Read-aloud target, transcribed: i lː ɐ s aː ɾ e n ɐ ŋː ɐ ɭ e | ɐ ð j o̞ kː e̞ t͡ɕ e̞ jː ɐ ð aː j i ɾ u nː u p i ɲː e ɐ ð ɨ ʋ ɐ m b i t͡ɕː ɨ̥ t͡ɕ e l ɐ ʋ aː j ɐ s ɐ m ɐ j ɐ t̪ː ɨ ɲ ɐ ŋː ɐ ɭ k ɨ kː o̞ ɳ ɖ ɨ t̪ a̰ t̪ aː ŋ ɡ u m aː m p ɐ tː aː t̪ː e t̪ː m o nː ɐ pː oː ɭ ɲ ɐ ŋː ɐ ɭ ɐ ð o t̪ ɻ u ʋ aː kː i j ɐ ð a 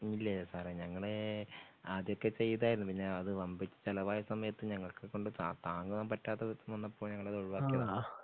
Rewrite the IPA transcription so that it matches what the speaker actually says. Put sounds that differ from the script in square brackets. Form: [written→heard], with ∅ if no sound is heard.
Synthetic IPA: i lː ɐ s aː ɾ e [n→ɲ] ɐ ŋː ɐ ɭ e | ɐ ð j o̞ kː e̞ t͡ɕ e̞ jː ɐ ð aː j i ɾ u nː u p i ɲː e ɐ ð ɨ ʋ ɐ m b i t͡ɕː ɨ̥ t͡ɕ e l ɐ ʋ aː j ɐ s ɐ m ɐ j ɐ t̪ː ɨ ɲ ɐ ŋː ɐ ɭ k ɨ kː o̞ ɳ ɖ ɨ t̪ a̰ t̪ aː ŋ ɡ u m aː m p ɐ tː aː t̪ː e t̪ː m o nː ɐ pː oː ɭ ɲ ɐ ŋː ɐ ɭ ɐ ð o [t̪→∅] ɻ u ʋ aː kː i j ɐ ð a